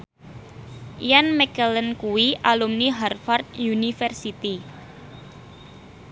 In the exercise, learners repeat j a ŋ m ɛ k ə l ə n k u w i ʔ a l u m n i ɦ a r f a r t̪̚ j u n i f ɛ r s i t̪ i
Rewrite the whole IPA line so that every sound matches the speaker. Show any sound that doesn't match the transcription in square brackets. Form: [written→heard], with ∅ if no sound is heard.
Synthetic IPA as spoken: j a [ŋ→n] m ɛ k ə l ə n k u w i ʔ a l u m n i ɦ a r f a r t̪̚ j u n i f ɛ r s i t̪ i